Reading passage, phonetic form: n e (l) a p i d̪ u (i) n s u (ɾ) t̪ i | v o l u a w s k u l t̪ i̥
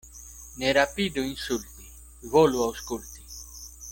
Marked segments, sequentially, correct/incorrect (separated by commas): incorrect, correct, incorrect